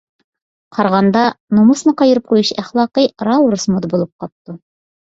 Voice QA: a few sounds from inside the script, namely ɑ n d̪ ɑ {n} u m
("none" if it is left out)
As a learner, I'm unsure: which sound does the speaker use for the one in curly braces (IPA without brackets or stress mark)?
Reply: n